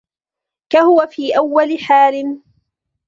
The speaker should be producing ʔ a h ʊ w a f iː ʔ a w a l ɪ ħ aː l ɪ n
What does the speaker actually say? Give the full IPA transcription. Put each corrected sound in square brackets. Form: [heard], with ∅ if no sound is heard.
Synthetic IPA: [k] a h ʊ w a f iː ʔ a [wː] a l ɪ ħ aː l ɪ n

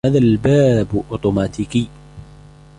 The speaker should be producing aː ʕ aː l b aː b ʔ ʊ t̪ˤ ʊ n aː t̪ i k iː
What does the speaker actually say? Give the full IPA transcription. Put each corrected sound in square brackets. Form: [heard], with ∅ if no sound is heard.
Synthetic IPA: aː [ð] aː l b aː b ʔ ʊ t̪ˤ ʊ [m] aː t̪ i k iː

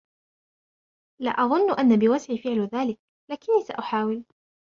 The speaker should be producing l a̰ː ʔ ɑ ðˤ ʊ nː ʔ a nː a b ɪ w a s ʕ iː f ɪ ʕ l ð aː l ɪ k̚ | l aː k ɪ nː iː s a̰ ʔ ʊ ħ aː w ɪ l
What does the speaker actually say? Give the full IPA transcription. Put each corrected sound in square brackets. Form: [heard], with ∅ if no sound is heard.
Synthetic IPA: l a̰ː ʔ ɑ ðˤ ʊ nː ʔ a nː a b ɪ w a s ʕ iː f ɪ ʕ l ð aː l ɪ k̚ | l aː k ɪ nː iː s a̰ ʔ ʊ ħ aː w ɪ l

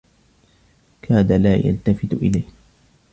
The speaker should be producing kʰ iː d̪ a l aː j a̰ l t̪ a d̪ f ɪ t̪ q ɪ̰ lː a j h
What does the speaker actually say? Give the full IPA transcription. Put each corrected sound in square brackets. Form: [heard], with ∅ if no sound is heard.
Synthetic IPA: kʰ [aː] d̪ a l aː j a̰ l t̪ a [∅] f ɪ t̪ [ʔ] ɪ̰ [l] a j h

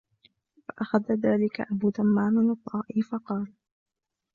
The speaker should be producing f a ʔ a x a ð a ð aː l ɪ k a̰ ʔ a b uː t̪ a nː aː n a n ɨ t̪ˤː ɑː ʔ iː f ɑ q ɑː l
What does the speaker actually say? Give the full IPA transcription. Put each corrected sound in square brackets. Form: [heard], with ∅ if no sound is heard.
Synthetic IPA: f a ʔ a x a ð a ð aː l ɪ k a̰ ʔ a b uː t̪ a [mː] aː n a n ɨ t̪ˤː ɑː ʔ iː f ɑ q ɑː l

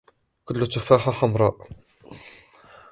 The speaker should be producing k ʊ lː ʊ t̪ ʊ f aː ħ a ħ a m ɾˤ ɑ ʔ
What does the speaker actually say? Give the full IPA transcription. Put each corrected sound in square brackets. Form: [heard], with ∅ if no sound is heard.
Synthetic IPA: k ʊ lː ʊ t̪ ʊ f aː ħ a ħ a m ɾˤ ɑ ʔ

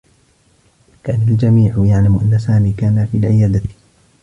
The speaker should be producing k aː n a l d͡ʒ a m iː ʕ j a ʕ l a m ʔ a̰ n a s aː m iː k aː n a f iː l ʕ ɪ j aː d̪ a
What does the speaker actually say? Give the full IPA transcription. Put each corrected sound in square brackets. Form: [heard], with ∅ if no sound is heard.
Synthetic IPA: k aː n a l d͡ʒ a m iː ʕ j a ʕ l a m ʔ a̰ [nː] a s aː m iː k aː n a f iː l ʕ ɪ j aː d̪ a

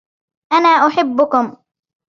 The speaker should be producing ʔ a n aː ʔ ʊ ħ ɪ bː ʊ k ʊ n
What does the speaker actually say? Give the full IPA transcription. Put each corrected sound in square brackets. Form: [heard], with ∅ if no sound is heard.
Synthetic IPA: ʔ a n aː ʔ ʊ ħ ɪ bː ʊ k ʊ [m]

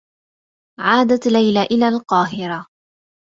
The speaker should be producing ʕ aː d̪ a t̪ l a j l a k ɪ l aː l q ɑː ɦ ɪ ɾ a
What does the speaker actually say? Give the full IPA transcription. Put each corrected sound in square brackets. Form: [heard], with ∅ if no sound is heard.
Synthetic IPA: ʕ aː d̪ a t̪ l a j l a [ʔ] ɪ l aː l q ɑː ɦ ɪ ɾ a

